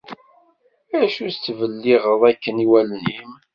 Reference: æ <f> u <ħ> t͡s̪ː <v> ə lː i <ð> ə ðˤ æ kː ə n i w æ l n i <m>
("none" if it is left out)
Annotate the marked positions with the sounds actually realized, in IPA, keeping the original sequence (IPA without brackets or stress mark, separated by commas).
ʃ, s, v, ʁ, m